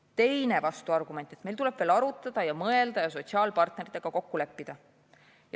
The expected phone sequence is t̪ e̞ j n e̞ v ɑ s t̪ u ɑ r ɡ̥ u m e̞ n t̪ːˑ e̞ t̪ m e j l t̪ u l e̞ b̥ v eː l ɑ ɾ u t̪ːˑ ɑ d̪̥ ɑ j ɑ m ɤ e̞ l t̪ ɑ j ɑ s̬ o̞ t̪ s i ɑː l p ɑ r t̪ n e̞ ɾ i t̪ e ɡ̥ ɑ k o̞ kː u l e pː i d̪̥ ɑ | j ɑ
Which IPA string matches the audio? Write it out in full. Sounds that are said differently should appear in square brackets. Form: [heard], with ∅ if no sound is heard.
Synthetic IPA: t̪ e̞ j n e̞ v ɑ s t̪ u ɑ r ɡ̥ u m e̞ n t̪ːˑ e̞ t̪ m e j l t̪ u l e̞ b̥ v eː l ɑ ɾ u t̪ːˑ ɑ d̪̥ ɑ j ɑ m ɤ e̞ l [d̪] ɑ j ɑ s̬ o̞ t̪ s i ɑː l p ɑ r t̪ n e̞ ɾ i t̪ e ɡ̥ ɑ k o̞ kː u l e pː i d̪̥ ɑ | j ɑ